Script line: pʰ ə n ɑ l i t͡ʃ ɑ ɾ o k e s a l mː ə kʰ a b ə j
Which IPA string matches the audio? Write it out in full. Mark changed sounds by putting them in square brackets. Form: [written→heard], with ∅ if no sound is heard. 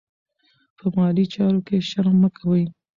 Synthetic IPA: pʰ ə [n→m] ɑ l i t͡ʃ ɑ ɾ o k e [s→ʃ] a [l→ɾ] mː ə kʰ a [b→w] ə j